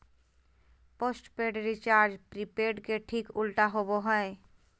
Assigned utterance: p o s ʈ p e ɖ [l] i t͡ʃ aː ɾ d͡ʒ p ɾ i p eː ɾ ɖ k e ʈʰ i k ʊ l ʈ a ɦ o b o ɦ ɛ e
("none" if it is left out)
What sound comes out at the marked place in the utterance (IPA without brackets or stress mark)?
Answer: ɾ